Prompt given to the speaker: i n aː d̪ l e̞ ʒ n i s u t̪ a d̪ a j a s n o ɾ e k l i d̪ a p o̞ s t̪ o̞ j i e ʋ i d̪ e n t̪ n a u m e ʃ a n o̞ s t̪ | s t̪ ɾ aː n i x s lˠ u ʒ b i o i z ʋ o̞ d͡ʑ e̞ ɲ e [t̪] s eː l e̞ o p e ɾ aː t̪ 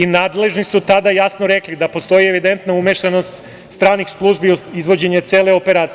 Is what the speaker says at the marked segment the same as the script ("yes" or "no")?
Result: yes